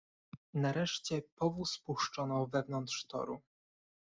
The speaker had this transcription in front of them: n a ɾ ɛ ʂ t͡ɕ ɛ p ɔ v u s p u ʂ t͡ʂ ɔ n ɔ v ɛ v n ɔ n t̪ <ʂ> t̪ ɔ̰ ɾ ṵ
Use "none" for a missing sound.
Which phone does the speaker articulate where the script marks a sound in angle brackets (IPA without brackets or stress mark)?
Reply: ʂ